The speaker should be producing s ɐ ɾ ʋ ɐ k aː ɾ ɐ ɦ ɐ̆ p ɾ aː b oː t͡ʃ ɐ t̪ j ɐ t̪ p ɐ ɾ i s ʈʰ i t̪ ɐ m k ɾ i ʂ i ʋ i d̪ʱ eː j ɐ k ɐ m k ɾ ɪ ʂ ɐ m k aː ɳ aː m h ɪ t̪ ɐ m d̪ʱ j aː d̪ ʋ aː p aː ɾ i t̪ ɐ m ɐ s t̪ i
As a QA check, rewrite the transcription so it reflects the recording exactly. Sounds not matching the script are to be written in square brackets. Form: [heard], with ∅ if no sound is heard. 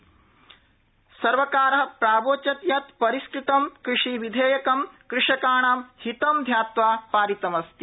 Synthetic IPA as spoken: s ɐ ɾ ʋ ɐ k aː ɾ ɐ ɦ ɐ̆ p ɾ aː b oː t͡ʃ ɐ t̪ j ɐ t̪ p ɐ ɾ i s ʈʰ i t̪ ɐ m k ɾ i ʂ i ʋ i d̪ʱ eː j ɐ k ɐ m k ɾ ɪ ʂ ɐ [∅] k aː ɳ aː m h [i] t̪ ɐ m d̪ʱ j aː [t̪] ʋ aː p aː ɾ i t̪ ɐ m ɐ s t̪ i